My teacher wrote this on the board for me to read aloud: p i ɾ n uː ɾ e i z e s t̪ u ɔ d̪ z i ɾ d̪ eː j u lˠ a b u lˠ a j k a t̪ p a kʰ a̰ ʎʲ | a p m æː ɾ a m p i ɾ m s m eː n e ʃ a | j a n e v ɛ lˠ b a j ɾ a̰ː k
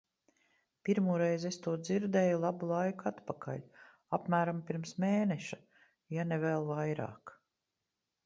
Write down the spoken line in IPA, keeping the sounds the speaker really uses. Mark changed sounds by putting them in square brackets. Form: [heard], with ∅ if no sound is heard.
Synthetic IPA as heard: p i ɾ [m] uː ɾ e [j] z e s t̪ u ɔ d̪ z i ɾ d̪ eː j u lˠ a b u lˠ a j k a t̪ p a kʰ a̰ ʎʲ | a p m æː ɾ a m p i ɾ m s m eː n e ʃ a | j a n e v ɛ lˠ [v] a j ɾ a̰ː k